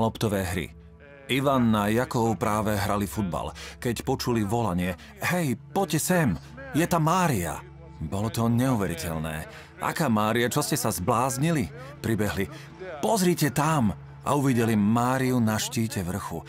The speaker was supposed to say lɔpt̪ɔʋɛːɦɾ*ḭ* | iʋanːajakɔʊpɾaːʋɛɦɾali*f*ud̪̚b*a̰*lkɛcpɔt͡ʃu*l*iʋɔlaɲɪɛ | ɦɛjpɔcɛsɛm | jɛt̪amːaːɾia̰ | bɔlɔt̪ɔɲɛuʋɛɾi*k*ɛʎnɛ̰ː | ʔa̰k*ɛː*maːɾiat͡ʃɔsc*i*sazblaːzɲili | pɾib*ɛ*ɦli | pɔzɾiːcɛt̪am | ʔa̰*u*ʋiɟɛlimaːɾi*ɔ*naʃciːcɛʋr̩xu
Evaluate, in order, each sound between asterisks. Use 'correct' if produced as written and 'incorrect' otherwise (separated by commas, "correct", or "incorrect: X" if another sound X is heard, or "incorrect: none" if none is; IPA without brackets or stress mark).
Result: correct, correct, correct, correct, incorrect: c, incorrect: aː, incorrect: ɛ, correct, correct, incorrect: u